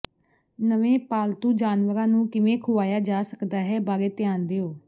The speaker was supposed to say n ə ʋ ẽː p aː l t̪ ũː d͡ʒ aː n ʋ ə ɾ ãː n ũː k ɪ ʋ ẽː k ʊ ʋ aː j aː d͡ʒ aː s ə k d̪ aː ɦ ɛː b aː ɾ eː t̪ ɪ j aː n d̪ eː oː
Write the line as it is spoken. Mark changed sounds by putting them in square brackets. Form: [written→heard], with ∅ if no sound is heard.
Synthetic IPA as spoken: n ə ʋ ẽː p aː l t̪ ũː d͡ʒ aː n ʋ ə ɾ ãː n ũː k ɪ ʋ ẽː [k→kʰ] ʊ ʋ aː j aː d͡ʒ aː s ə k d̪ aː ɦ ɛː b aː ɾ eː t̪ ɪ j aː n d̪ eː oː